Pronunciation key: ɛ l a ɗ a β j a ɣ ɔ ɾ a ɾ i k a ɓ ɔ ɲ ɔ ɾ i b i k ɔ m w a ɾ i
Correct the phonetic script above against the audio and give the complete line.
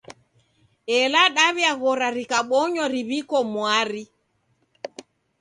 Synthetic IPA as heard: ɛ l a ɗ a β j a ɣ ɔ ɾ a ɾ i k a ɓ ɔ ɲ ɔ ɾ i β i k ɔ m w a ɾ i